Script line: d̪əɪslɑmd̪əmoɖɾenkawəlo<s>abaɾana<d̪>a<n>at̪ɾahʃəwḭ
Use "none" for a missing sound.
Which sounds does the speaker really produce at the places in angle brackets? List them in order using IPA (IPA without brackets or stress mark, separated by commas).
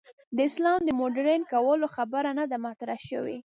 x, d̪, m